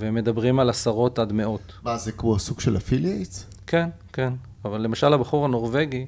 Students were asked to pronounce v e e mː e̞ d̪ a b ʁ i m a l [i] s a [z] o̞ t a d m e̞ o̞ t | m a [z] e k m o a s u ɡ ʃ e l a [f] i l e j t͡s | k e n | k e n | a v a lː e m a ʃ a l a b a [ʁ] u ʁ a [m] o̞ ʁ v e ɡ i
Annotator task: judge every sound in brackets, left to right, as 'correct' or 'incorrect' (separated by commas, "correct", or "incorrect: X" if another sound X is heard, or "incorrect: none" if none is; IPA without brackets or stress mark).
incorrect: a, incorrect: ʁ, correct, correct, incorrect: χ, incorrect: n